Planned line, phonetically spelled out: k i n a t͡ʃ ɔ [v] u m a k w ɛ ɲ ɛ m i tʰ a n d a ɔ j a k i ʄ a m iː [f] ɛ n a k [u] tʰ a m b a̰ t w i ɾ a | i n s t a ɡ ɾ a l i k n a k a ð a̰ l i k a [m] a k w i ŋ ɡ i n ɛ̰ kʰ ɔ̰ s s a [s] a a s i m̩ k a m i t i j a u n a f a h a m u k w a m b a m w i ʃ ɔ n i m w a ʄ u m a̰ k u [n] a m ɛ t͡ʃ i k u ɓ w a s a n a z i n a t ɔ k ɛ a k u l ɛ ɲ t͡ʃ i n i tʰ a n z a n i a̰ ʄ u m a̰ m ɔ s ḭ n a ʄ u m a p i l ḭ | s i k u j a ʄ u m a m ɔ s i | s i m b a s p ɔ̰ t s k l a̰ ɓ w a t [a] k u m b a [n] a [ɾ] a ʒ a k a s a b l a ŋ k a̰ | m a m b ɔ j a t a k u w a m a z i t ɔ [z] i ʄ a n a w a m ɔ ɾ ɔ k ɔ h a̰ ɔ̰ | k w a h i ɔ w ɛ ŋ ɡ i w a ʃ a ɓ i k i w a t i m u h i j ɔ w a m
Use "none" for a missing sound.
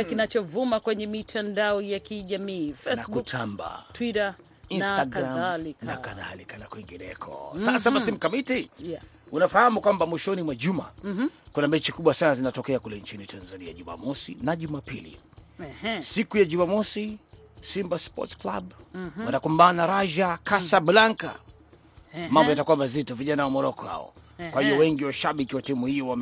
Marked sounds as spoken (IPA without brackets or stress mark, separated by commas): v, f, u, n, s, n, a, n, ɾ, v